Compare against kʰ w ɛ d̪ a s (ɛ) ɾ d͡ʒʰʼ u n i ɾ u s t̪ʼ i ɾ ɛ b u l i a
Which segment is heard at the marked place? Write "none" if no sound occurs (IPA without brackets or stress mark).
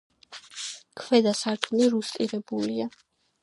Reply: a